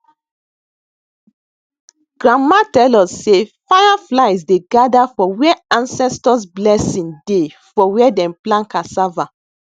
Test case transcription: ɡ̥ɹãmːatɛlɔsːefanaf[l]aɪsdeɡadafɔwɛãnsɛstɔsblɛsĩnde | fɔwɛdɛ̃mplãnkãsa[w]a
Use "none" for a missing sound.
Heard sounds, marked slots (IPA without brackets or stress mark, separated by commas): l, v